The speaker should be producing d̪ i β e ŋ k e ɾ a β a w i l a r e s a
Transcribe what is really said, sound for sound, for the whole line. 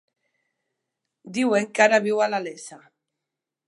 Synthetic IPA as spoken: d̪ i w e ŋ k a ɾ a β i w a l a l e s a